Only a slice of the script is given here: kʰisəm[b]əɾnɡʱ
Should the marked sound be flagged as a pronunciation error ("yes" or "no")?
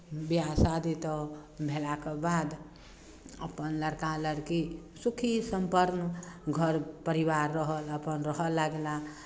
yes